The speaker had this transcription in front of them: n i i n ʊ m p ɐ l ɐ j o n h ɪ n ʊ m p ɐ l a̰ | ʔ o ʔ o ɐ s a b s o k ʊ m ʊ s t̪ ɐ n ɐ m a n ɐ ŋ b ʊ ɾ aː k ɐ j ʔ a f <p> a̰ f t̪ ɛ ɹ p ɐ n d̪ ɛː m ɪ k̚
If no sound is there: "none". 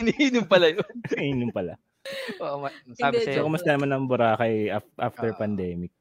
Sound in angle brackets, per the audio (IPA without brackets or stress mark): ʔ